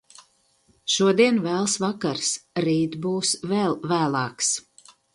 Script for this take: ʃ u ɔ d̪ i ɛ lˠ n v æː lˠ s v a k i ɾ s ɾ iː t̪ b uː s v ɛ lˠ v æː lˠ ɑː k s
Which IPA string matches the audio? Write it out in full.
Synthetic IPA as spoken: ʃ u ɔ d̪ i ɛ n v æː lˠ s v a k a ɾ s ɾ iː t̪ b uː s v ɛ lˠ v æː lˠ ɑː k s

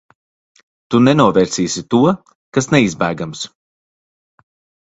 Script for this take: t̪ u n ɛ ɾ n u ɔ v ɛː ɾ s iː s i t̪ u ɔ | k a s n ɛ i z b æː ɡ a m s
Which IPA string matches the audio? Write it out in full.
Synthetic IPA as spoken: t̪ u n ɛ n u ɔ v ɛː ɾ s iː s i t̪ u ɔ | k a s n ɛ i z b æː ɡ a m s

